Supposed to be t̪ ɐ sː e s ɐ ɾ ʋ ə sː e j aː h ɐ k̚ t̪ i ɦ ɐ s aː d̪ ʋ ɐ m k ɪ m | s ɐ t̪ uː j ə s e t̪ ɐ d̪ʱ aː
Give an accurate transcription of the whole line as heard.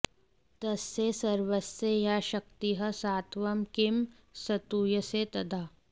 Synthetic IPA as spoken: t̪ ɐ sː e s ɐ ɾ ʋ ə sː e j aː ʃ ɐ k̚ t̪ i ɦ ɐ s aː t̪ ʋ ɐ m k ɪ m | s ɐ t̪ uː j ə s e t̪ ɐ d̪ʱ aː